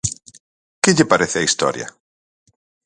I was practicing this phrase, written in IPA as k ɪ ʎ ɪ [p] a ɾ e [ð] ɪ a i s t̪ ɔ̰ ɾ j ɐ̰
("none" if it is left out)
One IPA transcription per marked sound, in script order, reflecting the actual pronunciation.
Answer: p, θ

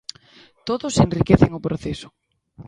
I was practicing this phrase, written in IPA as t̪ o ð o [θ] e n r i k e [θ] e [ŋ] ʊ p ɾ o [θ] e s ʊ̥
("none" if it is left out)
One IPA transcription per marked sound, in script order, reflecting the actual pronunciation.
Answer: s, θ, ŋ, θ

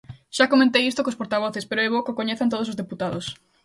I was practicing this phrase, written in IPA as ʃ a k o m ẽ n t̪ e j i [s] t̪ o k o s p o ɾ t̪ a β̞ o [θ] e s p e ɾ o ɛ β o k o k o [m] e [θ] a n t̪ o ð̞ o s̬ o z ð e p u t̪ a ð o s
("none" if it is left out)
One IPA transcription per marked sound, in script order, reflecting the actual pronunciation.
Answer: s, θ, ɲ, θ

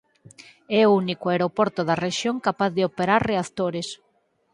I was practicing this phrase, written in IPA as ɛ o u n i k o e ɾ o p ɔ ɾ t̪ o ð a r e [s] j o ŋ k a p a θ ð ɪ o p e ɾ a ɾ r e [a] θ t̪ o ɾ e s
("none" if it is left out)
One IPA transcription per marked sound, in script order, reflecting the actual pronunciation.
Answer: ʃ, a

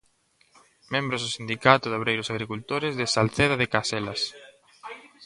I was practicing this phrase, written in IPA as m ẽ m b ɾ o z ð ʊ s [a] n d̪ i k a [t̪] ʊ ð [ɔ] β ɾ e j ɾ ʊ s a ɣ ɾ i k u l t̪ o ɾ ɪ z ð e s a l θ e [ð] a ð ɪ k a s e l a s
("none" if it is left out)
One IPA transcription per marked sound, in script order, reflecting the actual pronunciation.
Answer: i, t̪, o, ð

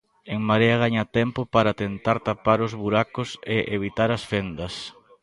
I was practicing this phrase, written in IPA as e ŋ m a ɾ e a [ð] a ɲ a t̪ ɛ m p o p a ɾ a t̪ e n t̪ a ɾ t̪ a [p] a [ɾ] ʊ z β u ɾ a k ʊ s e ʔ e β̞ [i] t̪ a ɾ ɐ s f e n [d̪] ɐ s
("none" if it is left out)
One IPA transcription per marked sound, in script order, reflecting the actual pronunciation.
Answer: ɣ, p, ɾ, i, d̪

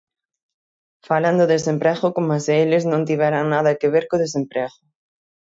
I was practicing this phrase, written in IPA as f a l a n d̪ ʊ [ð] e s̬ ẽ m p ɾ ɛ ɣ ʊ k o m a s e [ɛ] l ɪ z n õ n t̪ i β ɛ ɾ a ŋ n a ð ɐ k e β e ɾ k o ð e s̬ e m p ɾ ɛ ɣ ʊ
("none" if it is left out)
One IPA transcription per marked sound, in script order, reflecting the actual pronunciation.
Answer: ð, e

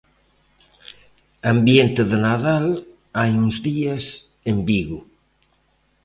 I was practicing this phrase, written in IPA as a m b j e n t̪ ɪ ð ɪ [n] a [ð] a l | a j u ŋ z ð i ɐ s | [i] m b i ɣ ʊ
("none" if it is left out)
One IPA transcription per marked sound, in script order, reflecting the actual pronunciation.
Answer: n, ð, e

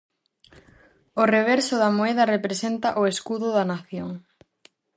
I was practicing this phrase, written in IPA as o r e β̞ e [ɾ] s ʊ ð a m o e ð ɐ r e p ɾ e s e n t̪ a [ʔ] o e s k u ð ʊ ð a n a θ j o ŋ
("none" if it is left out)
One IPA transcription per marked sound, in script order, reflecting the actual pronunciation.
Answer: ɾ, ʔ

